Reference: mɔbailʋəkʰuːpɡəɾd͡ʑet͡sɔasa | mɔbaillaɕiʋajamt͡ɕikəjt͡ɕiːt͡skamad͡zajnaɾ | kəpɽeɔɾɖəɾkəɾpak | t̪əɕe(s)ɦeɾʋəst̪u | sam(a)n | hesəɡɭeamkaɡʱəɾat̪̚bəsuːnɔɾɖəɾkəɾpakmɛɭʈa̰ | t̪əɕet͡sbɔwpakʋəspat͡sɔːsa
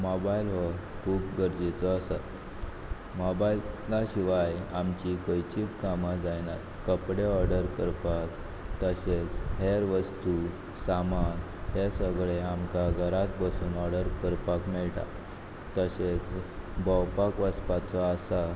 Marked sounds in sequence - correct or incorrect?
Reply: incorrect, correct

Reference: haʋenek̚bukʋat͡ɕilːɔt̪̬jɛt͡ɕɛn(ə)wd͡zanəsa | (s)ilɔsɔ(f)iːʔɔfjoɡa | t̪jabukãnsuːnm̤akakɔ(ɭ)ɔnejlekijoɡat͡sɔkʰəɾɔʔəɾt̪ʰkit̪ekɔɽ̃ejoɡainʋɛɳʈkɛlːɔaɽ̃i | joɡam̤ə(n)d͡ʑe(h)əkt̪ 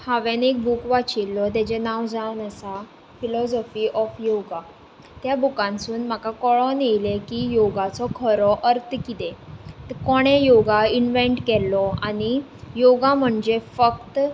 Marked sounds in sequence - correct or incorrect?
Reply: incorrect, incorrect, correct, correct, incorrect, incorrect

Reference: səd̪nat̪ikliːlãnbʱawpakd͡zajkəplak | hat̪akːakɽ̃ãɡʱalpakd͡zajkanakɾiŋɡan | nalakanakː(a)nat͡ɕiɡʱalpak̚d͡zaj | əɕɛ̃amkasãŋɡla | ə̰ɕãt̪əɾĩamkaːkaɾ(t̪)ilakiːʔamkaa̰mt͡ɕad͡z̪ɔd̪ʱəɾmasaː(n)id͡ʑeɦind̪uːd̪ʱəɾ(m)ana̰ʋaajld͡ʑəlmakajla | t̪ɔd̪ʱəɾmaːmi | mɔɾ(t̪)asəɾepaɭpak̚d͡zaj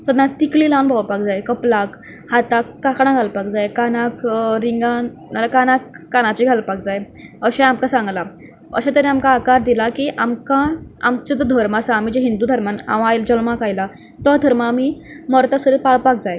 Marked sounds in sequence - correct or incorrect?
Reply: correct, incorrect, incorrect, correct, correct

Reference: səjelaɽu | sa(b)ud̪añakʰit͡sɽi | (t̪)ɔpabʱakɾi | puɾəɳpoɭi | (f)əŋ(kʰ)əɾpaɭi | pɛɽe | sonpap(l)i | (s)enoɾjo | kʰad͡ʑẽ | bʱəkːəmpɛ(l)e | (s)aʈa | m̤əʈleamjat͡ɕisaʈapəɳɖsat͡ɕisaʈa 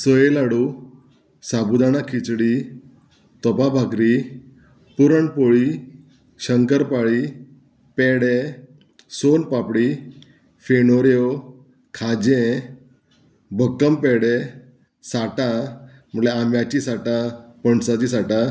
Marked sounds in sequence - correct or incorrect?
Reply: correct, correct, incorrect, incorrect, incorrect, incorrect, incorrect, correct

